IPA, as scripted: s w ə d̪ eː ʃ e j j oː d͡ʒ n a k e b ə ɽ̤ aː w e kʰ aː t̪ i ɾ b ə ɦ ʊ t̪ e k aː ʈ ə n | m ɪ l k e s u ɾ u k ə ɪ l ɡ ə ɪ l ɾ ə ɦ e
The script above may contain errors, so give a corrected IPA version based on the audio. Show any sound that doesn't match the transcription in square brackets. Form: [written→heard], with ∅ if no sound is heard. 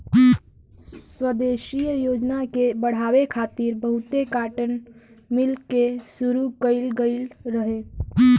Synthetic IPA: s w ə d̪ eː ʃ [e→i] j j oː d͡ʒ n a k e b ə ɽ̤ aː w e kʰ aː t̪ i ɾ b ə ɦ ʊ t̪ e k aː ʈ ə n | m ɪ l k e s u ɾ u k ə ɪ l ɡ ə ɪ l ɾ ə ɦ e